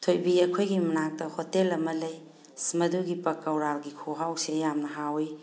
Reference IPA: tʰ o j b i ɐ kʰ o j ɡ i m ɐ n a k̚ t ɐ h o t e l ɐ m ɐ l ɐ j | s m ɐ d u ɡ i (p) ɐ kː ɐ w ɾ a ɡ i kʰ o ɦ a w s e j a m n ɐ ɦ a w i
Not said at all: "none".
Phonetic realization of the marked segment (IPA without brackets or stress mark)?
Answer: p